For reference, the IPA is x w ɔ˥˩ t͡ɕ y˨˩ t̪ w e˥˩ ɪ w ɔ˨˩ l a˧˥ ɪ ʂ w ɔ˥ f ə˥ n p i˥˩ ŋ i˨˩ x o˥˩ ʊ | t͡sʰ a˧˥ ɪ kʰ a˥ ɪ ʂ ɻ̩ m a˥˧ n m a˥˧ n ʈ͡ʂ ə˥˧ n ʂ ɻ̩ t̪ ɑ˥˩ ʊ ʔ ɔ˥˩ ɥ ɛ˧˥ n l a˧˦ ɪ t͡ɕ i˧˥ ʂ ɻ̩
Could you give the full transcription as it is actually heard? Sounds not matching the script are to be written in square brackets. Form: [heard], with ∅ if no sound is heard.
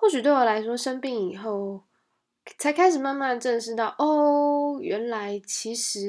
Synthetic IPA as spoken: x w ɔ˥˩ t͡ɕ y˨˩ t̪ w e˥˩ ɪ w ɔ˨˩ l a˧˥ ɪ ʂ w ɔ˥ [ʂ] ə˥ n p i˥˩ ŋ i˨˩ x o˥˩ ʊ | t͡sʰ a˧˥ ɪ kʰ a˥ ɪ ʂ ɻ̩ m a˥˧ n m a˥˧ n ʈ͡ʂ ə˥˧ n ʂ ɻ̩ t̪ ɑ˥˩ ʊ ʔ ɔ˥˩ ɥ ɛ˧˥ n l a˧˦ ɪ [t͡ɕʰ] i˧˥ ʂ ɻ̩